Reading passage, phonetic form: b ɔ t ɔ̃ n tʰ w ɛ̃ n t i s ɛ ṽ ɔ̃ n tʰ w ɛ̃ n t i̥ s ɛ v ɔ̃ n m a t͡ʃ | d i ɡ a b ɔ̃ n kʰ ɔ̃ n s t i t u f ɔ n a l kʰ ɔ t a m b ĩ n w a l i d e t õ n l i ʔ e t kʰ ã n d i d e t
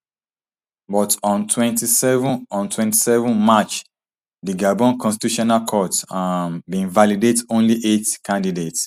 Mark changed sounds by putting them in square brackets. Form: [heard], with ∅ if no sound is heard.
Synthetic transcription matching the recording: b ɔ t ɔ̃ n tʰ w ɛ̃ n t i s ɛ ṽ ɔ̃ n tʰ w ɛ̃ n t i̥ s ɛ v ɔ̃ n m a t͡ʃ | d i ɡ a b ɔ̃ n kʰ ɔ̃ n s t i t u [ʃ] ɔ n a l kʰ ɔ t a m b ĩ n [v] a l i d e t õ n l i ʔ e t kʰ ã n d i d e t